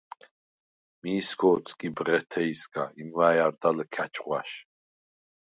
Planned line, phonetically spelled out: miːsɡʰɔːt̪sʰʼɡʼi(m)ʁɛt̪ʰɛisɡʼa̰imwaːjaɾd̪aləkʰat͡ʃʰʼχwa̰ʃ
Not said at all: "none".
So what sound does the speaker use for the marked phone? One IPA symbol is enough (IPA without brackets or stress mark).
b